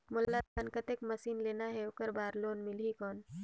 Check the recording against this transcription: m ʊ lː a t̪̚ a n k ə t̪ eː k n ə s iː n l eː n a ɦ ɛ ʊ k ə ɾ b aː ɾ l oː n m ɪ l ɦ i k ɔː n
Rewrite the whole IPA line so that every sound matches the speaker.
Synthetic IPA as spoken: m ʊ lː a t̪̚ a n k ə t̪ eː k m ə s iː n l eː n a ɦ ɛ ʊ k ə ɾ b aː ɾ l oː n m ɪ l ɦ i k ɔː n